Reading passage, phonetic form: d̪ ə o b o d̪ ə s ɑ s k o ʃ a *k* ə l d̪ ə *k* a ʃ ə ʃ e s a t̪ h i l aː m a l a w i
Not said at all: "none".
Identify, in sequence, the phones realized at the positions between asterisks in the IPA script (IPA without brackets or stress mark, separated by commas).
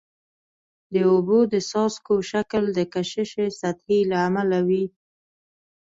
k, k